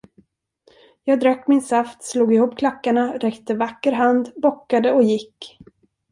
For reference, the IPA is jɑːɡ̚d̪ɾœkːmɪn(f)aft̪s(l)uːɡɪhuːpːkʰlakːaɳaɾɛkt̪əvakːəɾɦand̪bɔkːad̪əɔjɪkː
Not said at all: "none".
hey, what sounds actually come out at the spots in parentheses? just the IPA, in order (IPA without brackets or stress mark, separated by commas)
s, l